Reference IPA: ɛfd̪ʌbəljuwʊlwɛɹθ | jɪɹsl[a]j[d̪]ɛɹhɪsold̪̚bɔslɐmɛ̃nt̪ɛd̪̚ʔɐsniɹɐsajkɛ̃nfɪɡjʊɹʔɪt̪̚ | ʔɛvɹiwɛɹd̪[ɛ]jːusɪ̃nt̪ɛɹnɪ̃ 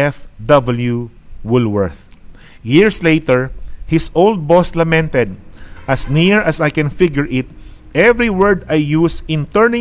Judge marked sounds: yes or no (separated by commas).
no, no, no